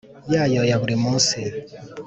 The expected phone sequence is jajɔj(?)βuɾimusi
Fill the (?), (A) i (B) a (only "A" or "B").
B